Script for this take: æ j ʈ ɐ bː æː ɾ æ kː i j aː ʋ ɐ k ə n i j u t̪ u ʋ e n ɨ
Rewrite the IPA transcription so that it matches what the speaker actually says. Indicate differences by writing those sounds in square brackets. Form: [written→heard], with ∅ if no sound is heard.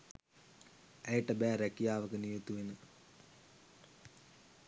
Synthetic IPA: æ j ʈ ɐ [bː→b] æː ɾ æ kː i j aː ʋ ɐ k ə n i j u t̪ u ʋ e n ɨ